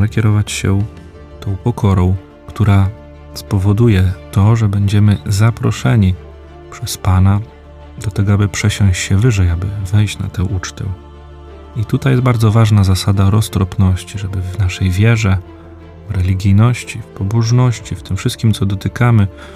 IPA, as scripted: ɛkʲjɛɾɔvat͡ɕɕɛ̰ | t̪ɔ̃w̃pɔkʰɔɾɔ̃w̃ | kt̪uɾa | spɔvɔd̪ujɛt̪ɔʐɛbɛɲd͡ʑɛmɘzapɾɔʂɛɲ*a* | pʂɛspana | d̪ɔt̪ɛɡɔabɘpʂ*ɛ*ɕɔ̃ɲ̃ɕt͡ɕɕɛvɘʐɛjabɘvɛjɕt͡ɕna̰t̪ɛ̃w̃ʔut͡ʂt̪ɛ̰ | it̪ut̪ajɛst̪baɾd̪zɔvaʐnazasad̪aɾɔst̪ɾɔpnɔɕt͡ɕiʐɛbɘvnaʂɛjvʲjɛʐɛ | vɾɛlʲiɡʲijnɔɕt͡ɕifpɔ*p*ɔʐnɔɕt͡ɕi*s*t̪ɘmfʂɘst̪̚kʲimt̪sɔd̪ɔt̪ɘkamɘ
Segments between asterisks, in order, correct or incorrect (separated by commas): incorrect, correct, incorrect, incorrect